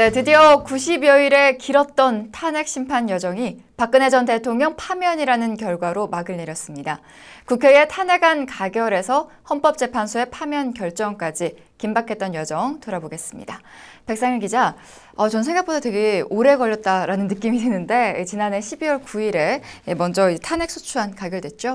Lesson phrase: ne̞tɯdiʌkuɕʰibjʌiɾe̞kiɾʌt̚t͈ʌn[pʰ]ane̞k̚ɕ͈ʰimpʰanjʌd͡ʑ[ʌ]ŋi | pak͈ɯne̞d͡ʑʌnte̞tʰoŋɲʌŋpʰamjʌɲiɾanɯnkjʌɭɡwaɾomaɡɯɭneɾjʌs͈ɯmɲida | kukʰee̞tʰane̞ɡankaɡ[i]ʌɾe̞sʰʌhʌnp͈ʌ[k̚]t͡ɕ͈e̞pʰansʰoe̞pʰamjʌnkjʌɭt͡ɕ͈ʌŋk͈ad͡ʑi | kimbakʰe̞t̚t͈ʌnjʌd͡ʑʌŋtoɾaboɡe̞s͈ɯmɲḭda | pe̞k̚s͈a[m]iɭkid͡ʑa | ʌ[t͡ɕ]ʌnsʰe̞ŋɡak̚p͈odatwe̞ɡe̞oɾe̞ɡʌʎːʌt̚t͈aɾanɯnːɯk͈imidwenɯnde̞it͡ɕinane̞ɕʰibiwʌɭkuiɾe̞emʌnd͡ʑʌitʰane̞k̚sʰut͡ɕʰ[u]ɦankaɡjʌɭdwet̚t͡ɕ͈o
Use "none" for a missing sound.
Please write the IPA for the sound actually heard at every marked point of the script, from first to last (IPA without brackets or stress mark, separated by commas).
tʰ, ʌ, j, p̚, ŋ, t͡ɕ, u